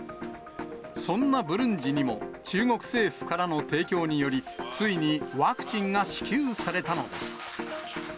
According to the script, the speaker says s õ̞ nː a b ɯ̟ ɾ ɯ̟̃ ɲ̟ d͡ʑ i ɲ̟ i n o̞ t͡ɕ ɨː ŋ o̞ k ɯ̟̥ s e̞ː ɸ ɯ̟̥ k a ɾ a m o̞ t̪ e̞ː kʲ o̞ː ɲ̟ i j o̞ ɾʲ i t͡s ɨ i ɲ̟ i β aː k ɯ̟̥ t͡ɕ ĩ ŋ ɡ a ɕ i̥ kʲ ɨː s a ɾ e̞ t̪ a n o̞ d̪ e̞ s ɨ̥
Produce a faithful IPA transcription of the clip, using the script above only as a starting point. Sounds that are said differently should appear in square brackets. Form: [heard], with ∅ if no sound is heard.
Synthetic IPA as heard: s õ̞ nː a b ɯ̟ ɾ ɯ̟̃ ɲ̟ d͡ʑ i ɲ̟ i [m] o̞ t͡ɕ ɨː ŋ o̞ k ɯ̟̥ s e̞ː ɸ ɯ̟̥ k a ɾ a [n] o̞ t̪ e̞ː kʲ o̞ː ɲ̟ i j o̞ ɾʲ i t͡s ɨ i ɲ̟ i β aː k ɯ̟̥ t͡ɕ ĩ ŋ ɡ a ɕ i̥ kʲ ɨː s a ɾ e̞ t̪ a n o̞ d̪ e̞ s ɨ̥